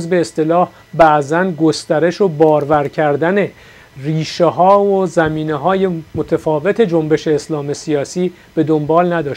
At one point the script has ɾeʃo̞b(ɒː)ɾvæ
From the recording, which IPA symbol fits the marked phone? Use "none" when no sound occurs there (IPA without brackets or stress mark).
ɒː